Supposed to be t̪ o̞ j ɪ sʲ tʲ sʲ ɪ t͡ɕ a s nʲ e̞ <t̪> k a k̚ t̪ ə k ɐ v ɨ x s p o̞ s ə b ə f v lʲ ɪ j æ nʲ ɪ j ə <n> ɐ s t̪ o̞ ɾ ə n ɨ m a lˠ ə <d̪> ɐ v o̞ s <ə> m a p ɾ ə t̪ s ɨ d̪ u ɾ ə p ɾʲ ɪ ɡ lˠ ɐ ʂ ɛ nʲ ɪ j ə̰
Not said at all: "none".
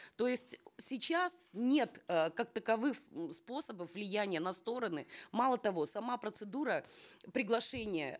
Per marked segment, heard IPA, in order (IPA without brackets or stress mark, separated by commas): t̪, n, t̪, ɐ